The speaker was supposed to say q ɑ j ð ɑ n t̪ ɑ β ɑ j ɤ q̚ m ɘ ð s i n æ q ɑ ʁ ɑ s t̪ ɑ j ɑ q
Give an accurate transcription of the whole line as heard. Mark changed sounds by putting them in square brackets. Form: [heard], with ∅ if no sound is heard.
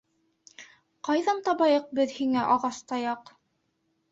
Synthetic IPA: q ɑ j ð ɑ n t̪ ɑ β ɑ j ɤ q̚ [b] ɘ ð [h] i [ŋ] æ [ʔ] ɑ ʁ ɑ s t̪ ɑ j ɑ q